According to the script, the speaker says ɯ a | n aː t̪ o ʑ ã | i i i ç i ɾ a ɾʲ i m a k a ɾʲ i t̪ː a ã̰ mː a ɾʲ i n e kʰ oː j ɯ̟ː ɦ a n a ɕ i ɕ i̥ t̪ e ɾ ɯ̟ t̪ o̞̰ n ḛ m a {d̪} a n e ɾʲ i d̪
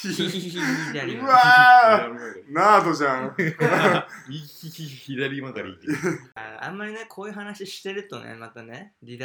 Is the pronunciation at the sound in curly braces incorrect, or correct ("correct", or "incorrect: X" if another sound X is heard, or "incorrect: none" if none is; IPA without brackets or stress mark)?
incorrect: t̪